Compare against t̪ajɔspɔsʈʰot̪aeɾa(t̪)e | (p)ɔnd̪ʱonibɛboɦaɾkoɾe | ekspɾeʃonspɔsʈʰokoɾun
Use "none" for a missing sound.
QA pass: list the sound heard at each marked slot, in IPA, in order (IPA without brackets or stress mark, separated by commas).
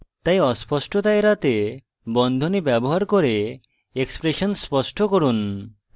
t̪, b